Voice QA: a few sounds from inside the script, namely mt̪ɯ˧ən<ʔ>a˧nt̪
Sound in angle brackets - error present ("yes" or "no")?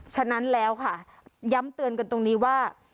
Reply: yes